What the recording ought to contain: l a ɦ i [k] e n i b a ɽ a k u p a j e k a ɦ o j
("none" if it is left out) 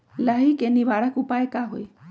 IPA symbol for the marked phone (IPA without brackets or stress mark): k